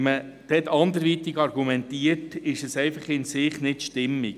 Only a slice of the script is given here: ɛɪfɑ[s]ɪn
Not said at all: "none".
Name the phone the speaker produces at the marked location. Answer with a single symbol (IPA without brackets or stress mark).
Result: χ